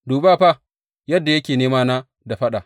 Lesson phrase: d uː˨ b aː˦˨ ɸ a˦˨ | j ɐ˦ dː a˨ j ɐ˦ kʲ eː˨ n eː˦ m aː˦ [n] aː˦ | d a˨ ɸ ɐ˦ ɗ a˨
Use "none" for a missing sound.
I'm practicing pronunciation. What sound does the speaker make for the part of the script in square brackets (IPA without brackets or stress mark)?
n